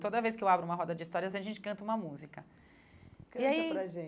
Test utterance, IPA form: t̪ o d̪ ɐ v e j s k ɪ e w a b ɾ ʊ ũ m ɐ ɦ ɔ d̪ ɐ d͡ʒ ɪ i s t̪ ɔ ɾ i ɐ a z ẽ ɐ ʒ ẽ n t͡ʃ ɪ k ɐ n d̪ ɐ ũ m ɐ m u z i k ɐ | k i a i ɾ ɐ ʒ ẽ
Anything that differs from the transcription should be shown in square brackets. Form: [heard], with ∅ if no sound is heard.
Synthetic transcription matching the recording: t̪ o d̪ ɐ v e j s k ɪ e w a b ɾ ʊ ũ m ɐ ɦ ɔ d̪ ɐ d͡ʒ ɪ i s t̪ ɔ ɾ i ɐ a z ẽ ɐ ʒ ẽ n t͡ʃ ɪ k [ɐ̃] n [t̪] ɐ ũ m ɐ m u z i k ɐ | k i a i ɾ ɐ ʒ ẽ